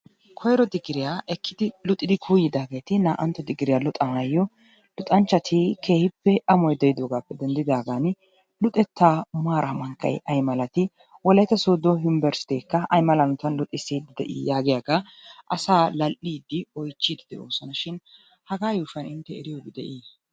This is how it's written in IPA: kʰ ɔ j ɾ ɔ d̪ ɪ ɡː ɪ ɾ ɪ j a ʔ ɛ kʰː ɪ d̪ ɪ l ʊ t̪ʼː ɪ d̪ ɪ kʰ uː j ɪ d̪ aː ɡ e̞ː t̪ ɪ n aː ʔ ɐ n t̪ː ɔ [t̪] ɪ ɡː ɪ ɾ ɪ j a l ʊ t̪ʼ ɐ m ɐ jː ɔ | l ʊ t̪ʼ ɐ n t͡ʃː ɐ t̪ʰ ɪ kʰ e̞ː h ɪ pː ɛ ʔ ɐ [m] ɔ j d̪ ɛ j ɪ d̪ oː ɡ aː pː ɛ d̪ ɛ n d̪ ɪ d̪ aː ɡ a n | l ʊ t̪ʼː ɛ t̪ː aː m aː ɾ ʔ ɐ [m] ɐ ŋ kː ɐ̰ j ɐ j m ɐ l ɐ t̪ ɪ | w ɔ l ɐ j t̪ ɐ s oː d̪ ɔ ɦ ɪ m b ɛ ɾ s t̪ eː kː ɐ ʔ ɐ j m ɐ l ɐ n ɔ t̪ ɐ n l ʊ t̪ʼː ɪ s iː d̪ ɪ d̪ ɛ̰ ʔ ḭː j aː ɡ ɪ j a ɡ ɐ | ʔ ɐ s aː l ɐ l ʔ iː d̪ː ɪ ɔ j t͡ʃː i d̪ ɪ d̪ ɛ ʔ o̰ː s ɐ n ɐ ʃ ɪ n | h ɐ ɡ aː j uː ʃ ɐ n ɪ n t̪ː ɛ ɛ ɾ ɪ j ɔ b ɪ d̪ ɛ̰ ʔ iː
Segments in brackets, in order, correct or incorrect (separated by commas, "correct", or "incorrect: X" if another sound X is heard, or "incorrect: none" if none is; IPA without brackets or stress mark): incorrect: d̪, correct, correct